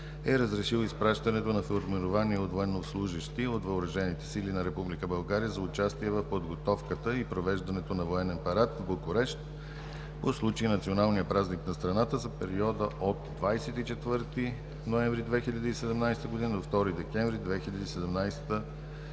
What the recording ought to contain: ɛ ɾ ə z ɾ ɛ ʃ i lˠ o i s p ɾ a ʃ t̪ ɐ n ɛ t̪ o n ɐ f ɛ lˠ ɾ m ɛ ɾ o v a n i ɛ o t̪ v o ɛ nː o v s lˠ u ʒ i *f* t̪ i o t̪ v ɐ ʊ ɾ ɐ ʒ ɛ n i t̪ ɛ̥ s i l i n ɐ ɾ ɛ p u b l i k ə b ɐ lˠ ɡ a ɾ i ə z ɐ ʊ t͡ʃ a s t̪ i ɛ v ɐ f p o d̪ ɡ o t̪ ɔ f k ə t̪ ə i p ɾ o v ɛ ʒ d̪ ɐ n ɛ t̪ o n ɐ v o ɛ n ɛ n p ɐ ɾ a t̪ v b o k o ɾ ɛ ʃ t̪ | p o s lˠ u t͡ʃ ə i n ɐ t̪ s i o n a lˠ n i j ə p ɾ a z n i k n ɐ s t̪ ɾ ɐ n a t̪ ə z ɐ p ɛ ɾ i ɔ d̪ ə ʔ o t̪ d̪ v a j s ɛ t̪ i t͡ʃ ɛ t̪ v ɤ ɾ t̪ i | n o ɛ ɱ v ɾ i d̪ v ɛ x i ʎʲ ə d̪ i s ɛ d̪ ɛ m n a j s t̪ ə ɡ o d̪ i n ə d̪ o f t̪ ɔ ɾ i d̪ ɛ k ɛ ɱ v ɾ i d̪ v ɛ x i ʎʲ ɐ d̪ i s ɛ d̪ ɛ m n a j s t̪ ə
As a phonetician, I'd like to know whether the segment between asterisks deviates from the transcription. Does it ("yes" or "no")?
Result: yes